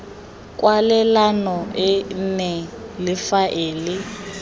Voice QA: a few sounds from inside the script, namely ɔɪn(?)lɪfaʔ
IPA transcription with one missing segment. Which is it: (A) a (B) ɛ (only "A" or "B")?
B